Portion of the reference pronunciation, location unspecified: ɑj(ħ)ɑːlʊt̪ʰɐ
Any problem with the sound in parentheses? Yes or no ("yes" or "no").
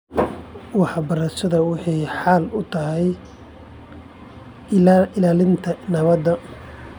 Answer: no